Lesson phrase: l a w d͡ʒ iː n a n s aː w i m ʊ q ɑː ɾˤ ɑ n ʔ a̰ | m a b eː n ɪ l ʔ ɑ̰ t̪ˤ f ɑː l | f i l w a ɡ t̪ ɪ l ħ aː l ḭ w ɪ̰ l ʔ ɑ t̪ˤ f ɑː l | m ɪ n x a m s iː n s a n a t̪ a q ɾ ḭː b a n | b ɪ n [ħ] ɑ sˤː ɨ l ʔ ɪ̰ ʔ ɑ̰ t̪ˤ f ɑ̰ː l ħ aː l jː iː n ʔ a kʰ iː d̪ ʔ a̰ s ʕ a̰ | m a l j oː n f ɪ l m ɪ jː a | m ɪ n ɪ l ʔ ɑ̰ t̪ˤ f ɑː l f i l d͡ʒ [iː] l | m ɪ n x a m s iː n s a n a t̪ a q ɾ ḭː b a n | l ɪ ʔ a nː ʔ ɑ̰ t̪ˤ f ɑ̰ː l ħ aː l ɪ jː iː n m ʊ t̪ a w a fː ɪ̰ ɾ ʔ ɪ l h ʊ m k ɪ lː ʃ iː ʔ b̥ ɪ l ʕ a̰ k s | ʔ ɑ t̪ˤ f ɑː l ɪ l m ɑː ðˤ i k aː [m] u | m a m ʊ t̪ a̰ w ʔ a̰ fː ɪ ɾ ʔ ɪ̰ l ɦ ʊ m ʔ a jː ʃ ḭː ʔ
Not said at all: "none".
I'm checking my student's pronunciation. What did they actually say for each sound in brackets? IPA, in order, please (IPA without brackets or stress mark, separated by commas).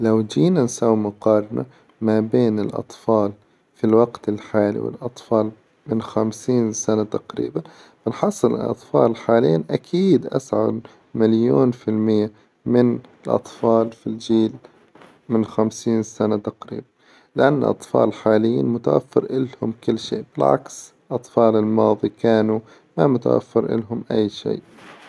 ħ, iː, n